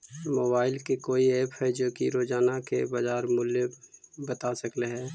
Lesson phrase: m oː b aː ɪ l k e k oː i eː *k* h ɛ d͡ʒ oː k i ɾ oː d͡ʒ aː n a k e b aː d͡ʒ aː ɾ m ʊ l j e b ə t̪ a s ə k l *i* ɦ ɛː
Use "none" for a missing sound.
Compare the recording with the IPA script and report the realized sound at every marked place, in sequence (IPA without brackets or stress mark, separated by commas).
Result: p, e